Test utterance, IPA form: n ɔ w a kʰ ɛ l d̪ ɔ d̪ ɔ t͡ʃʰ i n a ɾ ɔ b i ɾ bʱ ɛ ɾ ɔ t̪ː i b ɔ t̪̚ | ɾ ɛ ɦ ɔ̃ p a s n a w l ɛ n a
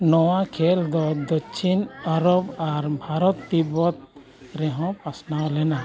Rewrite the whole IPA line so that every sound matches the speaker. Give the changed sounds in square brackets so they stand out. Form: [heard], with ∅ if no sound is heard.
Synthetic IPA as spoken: n ɔ w a kʰ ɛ l d̪ ɔ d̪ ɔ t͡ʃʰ i n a ɾ ɔ b [a] ɾ bʱ [a] ɾ ɔ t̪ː i b ɔ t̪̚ | ɾ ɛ ɦ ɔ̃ p a s n a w l ɛ n a